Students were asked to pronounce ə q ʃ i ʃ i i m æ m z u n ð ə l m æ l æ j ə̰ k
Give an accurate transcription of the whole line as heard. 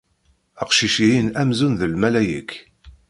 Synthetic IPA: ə q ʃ i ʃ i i n æ m z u n ð ə l m æ l æ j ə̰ k